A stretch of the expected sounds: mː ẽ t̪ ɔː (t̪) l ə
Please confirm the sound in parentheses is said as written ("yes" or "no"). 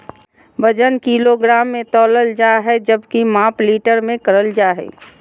no